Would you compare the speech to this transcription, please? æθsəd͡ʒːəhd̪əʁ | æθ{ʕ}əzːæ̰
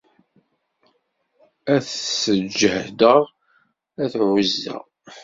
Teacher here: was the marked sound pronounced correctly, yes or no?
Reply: yes